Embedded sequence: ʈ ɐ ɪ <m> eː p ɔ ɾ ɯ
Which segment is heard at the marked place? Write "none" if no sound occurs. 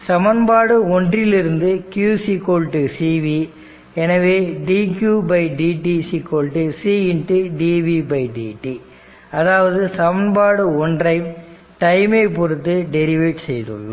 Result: m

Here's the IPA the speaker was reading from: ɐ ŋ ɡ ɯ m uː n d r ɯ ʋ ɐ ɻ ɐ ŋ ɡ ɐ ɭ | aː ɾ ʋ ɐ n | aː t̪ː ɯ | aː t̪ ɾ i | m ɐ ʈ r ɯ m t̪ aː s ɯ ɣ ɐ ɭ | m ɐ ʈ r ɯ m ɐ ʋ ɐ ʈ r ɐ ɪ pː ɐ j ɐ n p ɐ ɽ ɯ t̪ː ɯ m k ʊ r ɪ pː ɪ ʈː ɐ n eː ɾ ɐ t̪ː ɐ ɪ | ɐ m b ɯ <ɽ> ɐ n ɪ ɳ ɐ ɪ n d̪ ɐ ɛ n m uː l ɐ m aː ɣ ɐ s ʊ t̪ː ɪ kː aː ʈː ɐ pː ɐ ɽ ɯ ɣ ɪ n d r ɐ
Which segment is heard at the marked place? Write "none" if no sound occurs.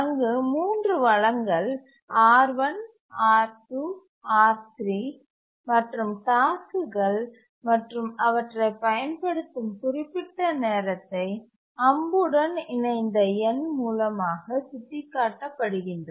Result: ɽ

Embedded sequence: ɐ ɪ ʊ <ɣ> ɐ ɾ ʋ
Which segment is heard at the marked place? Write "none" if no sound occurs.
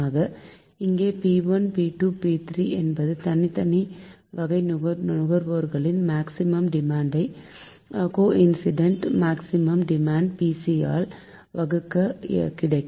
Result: ɣ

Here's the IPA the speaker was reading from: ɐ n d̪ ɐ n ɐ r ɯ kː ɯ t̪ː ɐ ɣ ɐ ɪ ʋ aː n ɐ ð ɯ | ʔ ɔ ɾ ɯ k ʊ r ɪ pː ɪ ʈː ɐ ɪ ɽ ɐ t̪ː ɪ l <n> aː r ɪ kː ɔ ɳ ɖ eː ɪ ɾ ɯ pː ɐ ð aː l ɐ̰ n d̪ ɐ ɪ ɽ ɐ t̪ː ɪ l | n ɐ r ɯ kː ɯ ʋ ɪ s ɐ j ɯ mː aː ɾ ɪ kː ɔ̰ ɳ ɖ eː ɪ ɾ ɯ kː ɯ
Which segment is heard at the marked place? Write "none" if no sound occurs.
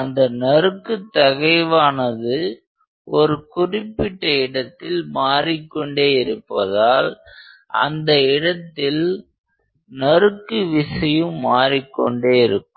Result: m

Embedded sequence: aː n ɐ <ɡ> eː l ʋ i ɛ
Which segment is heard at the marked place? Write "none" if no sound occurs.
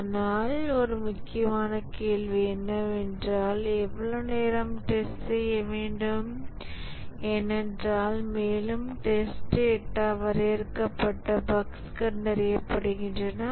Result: k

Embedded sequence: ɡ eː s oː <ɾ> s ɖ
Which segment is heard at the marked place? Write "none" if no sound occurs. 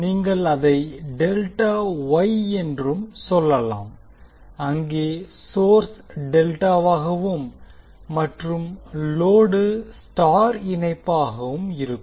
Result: ɾ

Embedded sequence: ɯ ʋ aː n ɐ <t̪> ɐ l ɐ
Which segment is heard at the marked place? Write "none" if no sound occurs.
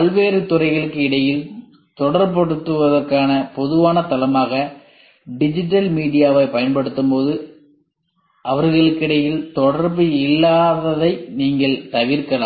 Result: t̪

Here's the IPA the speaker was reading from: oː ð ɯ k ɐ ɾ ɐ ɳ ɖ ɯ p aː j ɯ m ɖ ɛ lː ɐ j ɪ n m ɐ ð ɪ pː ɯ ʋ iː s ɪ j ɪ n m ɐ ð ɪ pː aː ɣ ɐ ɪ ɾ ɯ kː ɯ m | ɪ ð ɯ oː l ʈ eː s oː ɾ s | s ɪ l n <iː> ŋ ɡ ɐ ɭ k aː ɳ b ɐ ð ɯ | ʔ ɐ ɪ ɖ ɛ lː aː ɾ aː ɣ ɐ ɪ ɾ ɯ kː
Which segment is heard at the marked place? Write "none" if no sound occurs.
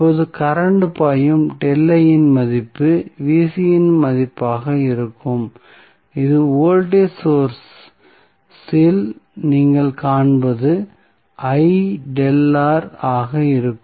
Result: iː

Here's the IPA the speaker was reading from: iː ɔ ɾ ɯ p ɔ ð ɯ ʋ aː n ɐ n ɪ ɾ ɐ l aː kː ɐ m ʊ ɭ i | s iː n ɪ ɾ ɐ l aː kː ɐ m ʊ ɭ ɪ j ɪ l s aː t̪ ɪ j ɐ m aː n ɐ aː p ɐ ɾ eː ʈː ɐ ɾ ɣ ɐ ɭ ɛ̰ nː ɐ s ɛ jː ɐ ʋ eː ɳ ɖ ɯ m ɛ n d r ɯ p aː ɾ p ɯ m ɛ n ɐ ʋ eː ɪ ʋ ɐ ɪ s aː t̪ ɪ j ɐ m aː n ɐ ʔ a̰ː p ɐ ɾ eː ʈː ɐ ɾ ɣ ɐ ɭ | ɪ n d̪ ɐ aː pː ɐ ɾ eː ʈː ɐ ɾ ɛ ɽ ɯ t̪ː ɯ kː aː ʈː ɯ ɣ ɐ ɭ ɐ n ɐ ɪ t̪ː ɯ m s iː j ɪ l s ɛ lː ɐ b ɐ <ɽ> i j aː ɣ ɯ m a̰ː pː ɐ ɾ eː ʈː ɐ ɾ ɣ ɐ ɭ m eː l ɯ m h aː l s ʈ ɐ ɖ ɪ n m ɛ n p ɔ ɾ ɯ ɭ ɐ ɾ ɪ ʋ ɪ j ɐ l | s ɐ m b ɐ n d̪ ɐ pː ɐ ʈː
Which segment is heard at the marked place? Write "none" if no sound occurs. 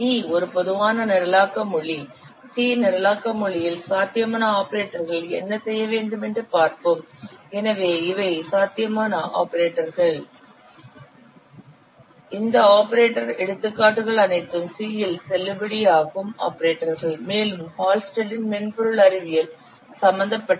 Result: ɽ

